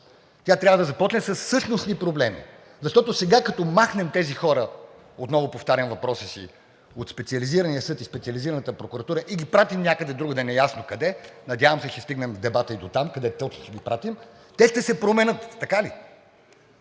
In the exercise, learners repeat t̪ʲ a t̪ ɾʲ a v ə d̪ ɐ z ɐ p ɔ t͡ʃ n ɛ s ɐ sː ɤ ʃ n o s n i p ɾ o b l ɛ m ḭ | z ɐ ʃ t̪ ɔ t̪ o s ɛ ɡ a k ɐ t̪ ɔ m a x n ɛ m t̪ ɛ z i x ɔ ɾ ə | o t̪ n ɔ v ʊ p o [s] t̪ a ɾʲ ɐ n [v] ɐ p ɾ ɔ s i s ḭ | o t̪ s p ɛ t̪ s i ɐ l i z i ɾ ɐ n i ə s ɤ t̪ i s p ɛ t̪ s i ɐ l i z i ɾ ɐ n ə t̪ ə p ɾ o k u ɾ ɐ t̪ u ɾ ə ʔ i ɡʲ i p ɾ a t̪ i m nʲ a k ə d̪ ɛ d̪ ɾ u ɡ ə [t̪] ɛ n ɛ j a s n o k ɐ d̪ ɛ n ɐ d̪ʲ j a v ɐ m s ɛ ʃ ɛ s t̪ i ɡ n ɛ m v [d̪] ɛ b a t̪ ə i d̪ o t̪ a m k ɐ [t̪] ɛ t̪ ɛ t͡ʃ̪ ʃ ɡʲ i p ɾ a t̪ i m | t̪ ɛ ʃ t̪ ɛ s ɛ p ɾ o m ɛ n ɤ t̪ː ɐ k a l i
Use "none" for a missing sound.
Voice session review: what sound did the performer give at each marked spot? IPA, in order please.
f, v, d̪, d̪, d̪

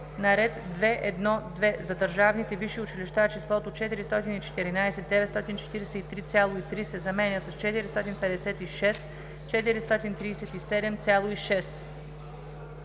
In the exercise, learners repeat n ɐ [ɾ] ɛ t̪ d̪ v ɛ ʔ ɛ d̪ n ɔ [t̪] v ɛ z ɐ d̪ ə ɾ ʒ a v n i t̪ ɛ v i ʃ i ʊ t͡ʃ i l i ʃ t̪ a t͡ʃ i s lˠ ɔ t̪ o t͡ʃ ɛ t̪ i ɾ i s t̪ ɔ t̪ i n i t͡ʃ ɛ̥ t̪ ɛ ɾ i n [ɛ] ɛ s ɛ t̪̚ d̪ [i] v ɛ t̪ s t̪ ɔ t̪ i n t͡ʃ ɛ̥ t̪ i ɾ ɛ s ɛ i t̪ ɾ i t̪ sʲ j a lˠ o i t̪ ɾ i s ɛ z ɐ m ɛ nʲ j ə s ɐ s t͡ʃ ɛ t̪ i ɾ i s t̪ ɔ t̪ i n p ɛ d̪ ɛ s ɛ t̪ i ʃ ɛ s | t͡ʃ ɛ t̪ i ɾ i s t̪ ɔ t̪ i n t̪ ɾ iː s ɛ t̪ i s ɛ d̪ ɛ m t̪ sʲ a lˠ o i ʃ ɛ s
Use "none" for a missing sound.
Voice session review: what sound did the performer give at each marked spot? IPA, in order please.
ɾ, d̪, a, ɛ

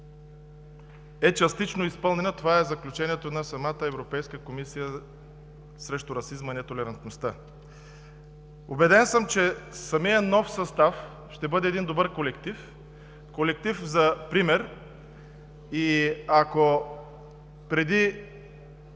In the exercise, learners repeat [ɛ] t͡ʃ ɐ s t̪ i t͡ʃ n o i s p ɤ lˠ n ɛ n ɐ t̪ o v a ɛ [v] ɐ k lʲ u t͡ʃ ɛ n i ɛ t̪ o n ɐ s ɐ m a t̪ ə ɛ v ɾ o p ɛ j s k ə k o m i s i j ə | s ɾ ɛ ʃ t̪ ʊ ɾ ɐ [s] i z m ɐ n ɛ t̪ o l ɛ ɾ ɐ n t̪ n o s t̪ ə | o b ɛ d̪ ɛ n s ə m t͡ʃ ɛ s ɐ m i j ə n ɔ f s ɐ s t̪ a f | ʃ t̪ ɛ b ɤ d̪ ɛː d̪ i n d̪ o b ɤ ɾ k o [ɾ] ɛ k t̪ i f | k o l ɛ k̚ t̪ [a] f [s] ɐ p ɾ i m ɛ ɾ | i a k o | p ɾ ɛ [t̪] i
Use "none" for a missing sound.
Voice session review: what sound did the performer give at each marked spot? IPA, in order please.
ɛ, z, s, l, i, z, d̪

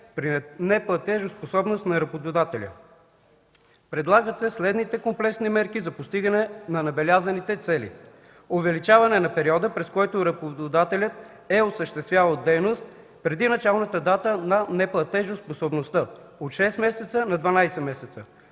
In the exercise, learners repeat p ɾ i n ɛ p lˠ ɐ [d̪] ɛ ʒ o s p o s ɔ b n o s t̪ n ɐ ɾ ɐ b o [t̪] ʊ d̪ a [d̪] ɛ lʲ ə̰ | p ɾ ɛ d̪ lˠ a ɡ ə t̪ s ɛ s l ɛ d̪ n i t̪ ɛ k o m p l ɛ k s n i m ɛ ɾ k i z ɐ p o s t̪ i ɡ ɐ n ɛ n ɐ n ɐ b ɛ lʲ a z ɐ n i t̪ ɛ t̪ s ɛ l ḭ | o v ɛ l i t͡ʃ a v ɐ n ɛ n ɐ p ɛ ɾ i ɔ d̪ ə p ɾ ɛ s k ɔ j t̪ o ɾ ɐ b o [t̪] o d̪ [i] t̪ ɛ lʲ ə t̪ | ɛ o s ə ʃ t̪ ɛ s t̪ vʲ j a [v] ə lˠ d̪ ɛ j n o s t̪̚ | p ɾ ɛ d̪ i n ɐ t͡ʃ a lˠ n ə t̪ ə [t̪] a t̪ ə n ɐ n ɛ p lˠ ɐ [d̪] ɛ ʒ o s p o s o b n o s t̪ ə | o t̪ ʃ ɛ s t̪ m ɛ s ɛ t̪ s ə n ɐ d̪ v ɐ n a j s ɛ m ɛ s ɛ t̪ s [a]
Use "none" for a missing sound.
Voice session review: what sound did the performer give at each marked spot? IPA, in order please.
t̪, d̪, t̪, d̪, a, v, d̪, t̪, ə

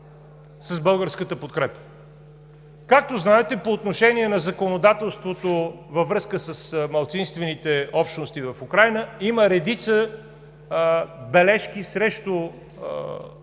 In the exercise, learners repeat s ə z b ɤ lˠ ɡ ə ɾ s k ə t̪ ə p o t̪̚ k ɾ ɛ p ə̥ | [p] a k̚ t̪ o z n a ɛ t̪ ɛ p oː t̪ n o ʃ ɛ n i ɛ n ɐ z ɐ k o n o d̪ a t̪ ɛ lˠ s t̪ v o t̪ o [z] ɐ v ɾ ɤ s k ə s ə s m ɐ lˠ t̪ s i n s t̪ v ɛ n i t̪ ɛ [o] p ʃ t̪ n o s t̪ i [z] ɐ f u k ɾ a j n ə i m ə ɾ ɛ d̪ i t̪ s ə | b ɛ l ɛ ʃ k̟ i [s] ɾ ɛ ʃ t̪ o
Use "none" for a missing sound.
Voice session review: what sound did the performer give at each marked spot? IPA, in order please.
k, v, ɔ, v, s

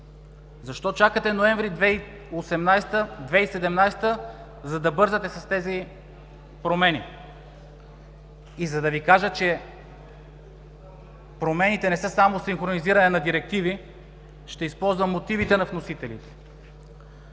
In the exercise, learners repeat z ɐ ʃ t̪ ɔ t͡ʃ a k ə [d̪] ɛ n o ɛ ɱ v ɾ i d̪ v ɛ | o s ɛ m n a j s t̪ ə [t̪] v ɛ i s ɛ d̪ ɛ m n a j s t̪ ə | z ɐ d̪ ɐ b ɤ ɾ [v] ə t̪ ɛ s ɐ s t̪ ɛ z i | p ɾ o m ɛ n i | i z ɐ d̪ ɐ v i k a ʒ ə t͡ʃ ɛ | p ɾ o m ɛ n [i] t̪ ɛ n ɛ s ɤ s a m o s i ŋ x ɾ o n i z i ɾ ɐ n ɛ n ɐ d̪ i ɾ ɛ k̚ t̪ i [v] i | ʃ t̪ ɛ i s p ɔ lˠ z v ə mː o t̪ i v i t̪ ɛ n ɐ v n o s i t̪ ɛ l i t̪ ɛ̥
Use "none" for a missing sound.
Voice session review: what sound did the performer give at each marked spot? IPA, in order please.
t̪, d̪, z, i, v

